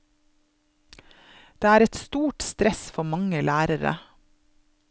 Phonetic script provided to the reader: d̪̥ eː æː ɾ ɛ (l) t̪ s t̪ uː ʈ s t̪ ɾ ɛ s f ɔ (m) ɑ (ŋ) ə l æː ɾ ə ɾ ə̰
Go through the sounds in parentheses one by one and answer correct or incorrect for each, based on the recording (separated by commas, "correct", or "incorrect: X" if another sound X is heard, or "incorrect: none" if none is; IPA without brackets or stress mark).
incorrect: none, correct, correct